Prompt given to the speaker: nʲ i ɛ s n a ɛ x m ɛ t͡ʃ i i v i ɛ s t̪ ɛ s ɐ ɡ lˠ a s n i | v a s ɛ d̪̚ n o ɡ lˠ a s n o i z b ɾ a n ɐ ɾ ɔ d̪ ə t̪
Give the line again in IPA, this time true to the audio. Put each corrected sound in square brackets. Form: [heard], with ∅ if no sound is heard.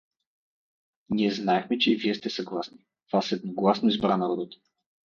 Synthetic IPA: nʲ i ɛ [z] n a ɛ x m ɛ t͡ʃ [ɛ] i v i ɛ s t̪ ɛ s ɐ ɡ lˠ a s n i | v a s ɛ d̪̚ n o ɡ lˠ a s n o i z b ɾ a n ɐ ɾ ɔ d̪ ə t̪